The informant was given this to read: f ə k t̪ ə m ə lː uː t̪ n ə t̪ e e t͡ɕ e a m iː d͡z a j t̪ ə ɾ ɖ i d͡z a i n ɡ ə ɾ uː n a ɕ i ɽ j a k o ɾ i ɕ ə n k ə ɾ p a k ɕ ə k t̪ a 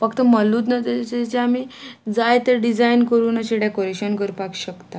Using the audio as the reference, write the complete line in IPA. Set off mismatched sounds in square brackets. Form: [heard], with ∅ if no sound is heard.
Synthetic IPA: f ə k t̪ ə m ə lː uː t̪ n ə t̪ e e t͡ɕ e a m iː d͡z a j t̪ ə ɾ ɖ i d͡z a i n [k] ə ɾ uː n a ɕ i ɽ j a k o ɾ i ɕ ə n k ə ɾ p a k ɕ ə k t̪ a